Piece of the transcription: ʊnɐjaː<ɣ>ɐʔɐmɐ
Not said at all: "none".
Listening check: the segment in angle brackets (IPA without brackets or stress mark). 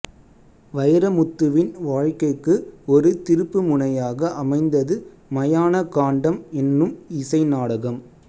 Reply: ɣ